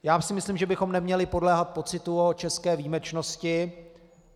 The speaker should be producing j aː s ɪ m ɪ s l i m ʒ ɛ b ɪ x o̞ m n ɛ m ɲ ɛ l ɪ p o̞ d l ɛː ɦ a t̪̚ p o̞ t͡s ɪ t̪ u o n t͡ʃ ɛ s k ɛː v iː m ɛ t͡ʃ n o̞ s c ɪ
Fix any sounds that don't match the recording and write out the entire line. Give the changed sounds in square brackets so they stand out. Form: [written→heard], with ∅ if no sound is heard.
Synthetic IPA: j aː s ɪ m ɪ s l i m ʒ ɛ b ɪ x o̞ m n ɛ m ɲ ɛ l ɪ p o̞ d l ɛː ɦ a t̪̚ p o̞ t͡s ɪ t̪ u o [n→∅] t͡ʃ ɛ s k ɛː v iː m ɛ t͡ʃ n o̞ s c ɪ